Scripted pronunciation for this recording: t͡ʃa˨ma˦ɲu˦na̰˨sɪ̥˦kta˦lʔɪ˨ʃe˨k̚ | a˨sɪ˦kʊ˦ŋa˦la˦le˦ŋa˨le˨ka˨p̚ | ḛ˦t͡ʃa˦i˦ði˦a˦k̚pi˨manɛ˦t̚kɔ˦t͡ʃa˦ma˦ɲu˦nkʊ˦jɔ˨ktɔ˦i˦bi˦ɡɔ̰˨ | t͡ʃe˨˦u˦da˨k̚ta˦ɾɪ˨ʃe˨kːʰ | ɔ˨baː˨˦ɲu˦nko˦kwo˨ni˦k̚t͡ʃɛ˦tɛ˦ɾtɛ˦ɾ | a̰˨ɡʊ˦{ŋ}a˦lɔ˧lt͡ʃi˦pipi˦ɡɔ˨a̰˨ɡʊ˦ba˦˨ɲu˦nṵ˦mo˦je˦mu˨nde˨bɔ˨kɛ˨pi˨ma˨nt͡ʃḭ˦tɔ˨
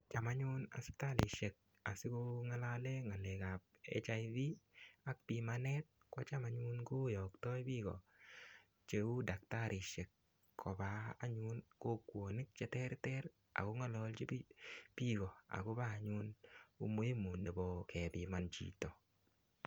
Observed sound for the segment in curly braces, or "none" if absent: ŋ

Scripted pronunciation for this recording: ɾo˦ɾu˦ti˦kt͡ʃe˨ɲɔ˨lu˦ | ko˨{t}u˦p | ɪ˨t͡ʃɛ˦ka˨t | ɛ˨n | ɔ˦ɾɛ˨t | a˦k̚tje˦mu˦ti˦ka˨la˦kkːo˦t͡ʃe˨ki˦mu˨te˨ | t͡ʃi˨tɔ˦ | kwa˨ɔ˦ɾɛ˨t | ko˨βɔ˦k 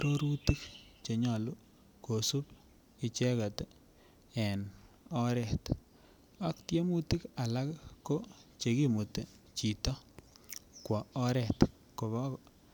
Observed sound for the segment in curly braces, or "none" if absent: s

